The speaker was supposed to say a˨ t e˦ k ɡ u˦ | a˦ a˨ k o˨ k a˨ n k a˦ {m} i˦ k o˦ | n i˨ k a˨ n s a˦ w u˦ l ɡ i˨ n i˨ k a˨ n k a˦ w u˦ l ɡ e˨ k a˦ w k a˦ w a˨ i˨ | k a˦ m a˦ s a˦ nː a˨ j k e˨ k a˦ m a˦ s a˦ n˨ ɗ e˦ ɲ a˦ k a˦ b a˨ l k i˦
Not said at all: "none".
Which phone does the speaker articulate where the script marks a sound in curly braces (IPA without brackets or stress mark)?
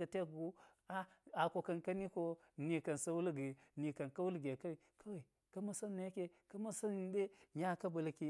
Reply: n